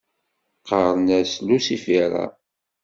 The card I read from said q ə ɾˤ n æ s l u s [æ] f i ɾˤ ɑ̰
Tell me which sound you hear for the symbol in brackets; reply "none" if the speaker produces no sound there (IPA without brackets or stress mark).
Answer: i